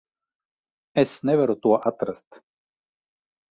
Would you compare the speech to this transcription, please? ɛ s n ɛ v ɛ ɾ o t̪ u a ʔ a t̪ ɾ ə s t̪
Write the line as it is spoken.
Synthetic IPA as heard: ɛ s n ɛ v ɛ ɾ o t̪ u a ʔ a t̪ ɾ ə s t̪